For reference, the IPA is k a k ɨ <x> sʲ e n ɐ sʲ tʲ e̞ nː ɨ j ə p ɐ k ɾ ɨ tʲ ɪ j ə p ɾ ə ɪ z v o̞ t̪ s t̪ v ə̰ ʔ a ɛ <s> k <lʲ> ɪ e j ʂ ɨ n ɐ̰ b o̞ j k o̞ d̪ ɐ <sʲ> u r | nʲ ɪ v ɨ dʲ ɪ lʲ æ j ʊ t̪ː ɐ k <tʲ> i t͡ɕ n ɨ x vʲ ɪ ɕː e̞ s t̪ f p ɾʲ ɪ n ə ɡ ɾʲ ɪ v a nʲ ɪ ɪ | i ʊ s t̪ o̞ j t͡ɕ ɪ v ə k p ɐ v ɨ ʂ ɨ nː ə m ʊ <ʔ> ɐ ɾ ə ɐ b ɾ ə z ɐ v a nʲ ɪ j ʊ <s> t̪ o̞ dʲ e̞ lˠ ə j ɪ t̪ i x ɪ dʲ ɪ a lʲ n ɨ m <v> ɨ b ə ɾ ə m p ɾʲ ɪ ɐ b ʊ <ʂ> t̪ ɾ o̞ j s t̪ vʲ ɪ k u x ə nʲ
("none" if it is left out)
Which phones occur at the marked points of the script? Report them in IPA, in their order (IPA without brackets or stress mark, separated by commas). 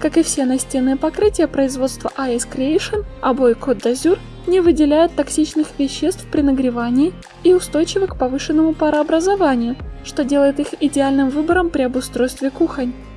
f, s, ɾʲ, zʲ, sʲ, p, ʂ, v, s